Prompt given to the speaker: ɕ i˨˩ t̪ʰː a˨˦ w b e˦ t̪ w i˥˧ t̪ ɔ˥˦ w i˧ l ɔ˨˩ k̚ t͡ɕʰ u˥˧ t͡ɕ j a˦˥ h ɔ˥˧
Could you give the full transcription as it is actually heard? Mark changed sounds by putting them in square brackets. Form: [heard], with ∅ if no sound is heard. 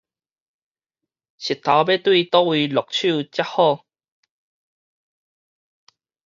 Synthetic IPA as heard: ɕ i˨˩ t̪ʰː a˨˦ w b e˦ t̪ w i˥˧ t̪ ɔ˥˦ w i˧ l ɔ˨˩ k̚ t͡ɕʰ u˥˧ t͡ɕ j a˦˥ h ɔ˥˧